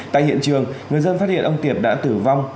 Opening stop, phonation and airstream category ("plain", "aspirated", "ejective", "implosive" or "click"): plain